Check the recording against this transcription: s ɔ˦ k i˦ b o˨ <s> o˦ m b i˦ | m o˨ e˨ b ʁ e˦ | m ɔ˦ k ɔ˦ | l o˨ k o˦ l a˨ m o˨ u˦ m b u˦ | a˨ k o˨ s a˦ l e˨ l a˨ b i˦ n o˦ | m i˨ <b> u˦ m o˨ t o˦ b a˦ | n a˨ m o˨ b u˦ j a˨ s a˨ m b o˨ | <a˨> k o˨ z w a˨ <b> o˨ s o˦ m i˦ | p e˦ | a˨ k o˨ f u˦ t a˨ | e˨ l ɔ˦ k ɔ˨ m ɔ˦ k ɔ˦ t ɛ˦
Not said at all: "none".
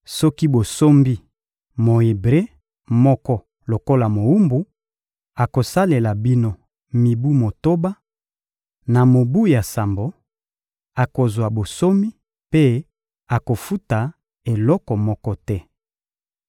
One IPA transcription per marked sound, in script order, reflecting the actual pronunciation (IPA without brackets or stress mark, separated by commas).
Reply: s, b, a˨, b